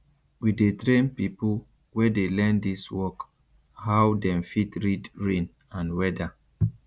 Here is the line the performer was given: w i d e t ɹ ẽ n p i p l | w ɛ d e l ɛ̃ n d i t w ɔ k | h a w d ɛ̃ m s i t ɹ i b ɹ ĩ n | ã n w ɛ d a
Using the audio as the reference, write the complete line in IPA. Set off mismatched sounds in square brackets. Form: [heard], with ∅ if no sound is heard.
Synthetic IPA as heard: w i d e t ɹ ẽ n p i p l | w ɛ d e l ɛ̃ n d i [s] w ɔ k | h a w d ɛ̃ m [f] i t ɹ i [d] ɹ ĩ n | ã n w ɛ d a